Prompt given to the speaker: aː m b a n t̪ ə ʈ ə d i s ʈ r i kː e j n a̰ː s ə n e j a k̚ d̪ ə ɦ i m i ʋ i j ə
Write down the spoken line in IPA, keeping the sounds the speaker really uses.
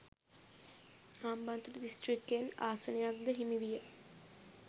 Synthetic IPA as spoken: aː m b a n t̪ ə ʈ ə d i s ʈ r i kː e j n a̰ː s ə n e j a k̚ d̪ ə ɦ i m i ʋ i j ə